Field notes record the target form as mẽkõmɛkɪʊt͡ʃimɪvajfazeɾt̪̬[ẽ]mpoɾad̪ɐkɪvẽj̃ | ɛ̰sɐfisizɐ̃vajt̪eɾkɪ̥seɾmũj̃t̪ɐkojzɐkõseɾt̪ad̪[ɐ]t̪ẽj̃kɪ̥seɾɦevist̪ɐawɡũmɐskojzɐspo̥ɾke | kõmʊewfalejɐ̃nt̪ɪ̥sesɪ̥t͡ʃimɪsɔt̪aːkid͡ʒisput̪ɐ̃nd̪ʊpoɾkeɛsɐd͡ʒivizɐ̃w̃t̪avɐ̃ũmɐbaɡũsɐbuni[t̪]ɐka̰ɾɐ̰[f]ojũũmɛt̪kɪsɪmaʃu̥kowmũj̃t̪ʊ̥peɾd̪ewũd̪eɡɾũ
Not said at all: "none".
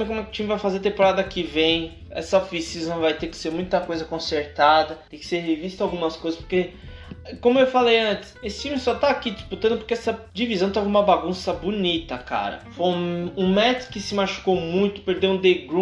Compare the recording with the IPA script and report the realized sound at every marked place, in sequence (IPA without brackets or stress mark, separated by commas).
ẽ, ɐ, t̪, f